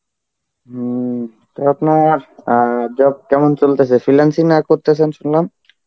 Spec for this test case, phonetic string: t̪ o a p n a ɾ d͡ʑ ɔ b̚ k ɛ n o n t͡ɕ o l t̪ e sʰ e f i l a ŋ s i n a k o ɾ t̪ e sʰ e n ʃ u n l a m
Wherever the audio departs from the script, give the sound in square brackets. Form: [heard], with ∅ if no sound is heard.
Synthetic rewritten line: t̪ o a p n a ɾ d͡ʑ ɔ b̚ k ɛ [m] o n t͡ɕ o l t̪ e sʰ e f i l a [n] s i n a k o ɾ t̪ e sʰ e n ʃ u n l a m